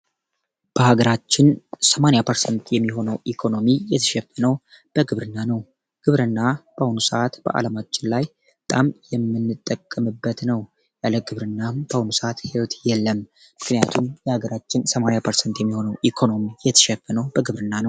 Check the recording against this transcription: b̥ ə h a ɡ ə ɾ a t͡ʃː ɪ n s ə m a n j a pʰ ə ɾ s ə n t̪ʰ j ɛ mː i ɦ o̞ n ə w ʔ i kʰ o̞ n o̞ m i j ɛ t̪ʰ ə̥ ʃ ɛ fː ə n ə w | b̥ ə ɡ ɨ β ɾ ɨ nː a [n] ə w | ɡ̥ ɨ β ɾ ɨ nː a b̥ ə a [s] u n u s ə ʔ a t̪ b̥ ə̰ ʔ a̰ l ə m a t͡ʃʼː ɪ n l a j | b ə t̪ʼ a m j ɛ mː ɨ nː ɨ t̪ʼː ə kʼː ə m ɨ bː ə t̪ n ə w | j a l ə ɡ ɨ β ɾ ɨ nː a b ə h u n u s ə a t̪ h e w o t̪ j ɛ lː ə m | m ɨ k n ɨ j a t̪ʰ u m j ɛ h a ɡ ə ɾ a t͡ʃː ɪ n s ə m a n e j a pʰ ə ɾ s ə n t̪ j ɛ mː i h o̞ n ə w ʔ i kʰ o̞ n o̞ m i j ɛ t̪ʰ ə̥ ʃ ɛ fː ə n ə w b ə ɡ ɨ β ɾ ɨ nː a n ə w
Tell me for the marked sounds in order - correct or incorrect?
correct, incorrect: h

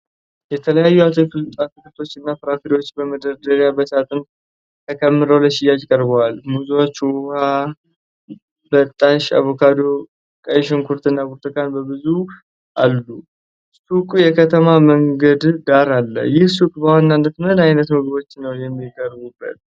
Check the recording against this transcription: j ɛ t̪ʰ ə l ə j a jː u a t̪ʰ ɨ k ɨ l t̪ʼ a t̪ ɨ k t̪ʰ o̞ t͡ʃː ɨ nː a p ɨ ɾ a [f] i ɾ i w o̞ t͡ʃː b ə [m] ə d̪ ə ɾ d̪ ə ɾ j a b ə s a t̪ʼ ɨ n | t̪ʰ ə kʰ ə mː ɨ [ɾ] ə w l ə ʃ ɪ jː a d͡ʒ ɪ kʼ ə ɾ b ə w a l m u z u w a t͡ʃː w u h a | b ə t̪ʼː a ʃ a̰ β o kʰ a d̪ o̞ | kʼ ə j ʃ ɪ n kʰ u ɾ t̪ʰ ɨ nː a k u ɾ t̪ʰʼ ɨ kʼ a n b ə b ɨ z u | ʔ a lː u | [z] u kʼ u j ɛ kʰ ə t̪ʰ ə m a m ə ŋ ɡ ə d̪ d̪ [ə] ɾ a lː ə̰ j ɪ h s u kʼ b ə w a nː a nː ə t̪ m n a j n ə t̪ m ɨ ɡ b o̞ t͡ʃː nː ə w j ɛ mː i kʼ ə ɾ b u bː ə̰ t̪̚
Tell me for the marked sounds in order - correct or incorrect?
correct, correct, correct, incorrect: s, incorrect: a

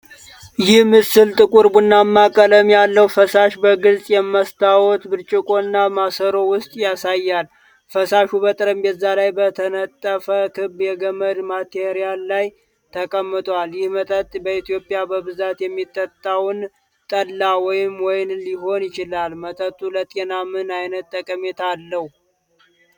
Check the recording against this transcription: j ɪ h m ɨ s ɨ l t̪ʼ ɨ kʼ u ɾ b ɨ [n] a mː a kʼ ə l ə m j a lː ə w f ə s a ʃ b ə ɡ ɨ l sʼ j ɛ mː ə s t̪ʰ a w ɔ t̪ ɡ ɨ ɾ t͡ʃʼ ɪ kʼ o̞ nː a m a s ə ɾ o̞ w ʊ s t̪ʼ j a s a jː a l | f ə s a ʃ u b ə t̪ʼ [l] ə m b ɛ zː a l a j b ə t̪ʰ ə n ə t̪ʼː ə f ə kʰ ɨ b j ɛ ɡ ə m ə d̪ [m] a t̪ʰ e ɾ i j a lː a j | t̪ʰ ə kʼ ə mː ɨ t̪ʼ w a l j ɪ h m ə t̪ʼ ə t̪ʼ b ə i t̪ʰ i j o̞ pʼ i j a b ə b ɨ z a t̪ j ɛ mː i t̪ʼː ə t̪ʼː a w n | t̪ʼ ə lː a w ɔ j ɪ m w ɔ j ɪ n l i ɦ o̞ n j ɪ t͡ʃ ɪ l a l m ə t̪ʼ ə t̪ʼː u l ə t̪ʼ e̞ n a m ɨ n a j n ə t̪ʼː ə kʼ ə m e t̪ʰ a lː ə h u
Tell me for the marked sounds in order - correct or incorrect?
incorrect: nː, incorrect: ɾ, correct

